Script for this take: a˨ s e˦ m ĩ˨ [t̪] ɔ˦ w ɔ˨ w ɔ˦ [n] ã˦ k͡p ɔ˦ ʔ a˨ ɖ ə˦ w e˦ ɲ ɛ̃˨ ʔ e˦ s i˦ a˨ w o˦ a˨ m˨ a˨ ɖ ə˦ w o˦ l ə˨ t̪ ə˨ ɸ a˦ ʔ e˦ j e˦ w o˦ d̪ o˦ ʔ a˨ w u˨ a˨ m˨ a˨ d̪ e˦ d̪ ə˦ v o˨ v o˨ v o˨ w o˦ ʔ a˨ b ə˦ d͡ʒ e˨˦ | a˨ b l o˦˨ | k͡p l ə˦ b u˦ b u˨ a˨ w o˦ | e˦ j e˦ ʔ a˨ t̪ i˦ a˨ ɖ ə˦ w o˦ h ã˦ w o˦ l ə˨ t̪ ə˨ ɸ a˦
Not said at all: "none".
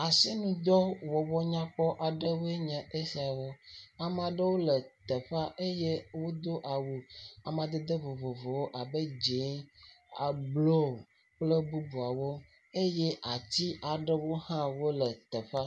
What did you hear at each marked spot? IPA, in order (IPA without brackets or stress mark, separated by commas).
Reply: d̪, ɲ